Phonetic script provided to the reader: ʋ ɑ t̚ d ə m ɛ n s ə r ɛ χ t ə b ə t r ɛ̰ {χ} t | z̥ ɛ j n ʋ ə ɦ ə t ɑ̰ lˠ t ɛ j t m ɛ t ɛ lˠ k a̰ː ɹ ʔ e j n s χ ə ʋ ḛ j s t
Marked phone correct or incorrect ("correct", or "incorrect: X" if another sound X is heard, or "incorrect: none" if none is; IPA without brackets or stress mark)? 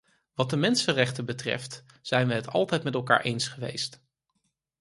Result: incorrect: f